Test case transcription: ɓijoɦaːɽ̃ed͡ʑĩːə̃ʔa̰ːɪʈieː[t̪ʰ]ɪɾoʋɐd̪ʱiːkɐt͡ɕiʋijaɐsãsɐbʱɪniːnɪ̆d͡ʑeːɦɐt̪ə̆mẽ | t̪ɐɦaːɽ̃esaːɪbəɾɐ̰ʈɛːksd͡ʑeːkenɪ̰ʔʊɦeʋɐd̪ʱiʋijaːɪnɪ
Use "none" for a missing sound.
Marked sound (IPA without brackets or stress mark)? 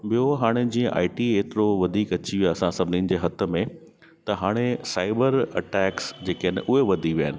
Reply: t̪